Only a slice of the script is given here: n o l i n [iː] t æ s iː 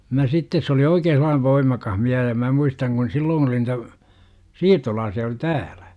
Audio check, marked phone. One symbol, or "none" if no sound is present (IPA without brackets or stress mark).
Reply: i